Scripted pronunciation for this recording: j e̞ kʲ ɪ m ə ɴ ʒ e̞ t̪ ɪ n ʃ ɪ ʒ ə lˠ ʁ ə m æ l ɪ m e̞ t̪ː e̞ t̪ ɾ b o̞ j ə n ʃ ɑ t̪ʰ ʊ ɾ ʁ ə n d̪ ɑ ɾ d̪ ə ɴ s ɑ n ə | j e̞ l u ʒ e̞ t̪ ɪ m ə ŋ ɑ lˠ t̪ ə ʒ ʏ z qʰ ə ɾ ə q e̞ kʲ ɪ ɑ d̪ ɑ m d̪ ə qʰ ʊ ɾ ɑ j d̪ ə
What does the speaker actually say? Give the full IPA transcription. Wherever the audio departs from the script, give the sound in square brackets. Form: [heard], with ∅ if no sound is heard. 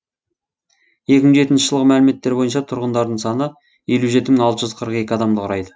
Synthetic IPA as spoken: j e̞ kʲ ɪ m ə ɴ ʒ e̞ t̪ ɪ n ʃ ɪ ʒ ə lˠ ʁ ə m æ l ɪ m e̞ t̪ː e̞ [∅] ɾ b o̞ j ə n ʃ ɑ t̪ʰ ʊ ɾ ʁ ə n d̪ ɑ ɾ d̪ ə ɴ s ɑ n ə | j e̞ l u ʒ e̞ t̪ ɪ m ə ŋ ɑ lˠ t̪ ə ʒ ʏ z qʰ ə ɾ ə q e̞ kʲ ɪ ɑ d̪ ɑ m d̪ ə qʰ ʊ ɾ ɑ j d̪ ə

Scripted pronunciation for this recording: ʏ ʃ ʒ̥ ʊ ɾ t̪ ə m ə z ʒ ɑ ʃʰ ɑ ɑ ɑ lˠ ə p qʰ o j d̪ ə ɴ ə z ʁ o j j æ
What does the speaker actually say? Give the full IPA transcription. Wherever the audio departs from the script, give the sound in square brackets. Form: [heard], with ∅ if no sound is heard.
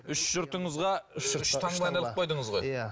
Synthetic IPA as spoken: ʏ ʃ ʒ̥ ʊ ɾ t̪ ə [ɴ] ə z [ʁ] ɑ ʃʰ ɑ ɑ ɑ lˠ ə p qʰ o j d̪ ə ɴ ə z ʁ o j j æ

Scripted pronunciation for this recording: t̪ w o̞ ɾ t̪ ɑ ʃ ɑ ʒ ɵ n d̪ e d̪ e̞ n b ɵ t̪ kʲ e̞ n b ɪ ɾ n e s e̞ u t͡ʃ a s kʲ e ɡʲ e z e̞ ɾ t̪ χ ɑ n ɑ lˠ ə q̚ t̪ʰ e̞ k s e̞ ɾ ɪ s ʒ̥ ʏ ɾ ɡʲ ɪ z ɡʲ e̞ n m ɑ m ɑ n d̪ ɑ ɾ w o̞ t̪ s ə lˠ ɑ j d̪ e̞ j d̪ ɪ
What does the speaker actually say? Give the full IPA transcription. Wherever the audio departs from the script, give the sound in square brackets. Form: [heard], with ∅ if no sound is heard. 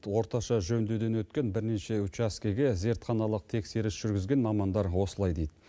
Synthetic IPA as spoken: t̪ w o̞ ɾ t̪ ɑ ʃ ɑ ʒ ɵ n d̪ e d̪ e̞ n [w] ɵ t̪ kʲ e̞ n b ɪ ɾ n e [ʃ] e̞ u t͡ʃ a s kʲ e ɡʲ e z e̞ ɾ t̪ χ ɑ n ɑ lˠ ə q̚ t̪ʰ e̞ k s e̞ ɾ ɪ s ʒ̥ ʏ ɾ ɡʲ ɪ z ɡʲ e̞ n m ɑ m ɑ n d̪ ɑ ɾ w o̞ [∅] s ə lˠ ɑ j d̪ e̞ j d̪ ɪ

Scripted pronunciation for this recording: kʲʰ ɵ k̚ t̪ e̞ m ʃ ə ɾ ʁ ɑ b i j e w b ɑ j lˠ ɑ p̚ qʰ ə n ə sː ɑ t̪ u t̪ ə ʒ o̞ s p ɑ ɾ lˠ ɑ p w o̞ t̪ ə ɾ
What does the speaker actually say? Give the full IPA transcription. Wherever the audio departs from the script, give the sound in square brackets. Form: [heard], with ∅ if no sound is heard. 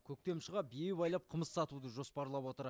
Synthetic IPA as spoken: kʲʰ ɵ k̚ t̪ e̞ m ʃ ə [∅] ʁ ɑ b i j e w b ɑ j lˠ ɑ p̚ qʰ ə [m] ə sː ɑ t̪ u [d̪] ə ʒ o̞ s p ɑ ɾ lˠ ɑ p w o̞ t̪ ə ɾ

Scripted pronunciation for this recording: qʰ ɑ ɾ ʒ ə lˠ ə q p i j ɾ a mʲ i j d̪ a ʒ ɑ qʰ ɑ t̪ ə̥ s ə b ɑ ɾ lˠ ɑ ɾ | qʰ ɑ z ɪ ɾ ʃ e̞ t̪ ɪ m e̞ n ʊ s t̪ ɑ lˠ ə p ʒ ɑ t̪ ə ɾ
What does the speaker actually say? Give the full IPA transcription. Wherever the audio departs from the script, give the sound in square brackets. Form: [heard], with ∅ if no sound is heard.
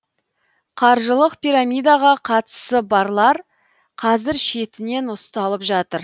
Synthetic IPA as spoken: qʰ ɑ ɾ ʒ ə lˠ ə q p i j ɾ a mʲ i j d̪ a [ʁ] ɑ qʰ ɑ t̪ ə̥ s ə b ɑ ɾ lˠ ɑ ɾ | qʰ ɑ z ɪ ɾ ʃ e̞ t̪ ɪ [n] e̞ n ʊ s t̪ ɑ lˠ ə p ʒ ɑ t̪ ə ɾ

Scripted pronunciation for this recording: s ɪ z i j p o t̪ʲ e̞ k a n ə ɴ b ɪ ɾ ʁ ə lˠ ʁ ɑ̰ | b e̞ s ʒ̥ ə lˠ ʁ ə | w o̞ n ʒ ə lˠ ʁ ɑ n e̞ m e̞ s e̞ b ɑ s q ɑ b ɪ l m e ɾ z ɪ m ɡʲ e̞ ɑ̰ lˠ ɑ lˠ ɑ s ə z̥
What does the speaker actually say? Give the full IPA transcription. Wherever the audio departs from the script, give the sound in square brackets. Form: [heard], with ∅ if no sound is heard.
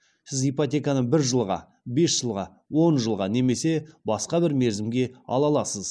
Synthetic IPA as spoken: s ɪ z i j p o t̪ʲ e̞ k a n ə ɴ b ɪ ɾ [ʒ] ə lˠ ʁ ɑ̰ | b e̞ s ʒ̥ ə lˠ ʁ [ɑ] | w o̞ n ʒ ə lˠ ʁ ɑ n e̞ m e̞ s e̞ b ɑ s q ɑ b ɪ [ɾ] m e ɾ z ɪ m ɡʲ e̞ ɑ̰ lˠ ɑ lˠ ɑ s ə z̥

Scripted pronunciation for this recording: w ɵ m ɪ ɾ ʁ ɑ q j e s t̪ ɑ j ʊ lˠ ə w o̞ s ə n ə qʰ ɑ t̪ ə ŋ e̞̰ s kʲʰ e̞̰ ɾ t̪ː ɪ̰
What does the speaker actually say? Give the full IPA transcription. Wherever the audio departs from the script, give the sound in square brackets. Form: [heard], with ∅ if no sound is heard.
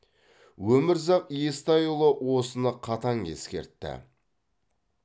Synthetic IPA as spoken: w ɵ m ɪ ɾ [z] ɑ q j e s t̪ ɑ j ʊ lˠ ə w o̞ s ə n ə qʰ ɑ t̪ [ɑ] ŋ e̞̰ s [kʲ] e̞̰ ɾ t̪ː ɪ̰

